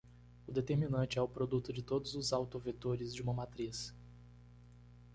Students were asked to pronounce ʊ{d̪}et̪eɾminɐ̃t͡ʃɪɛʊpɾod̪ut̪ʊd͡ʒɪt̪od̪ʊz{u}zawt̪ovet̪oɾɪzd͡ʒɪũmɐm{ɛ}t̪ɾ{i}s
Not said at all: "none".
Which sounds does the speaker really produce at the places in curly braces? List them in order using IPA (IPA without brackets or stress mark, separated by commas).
d̪, ʊ, a, i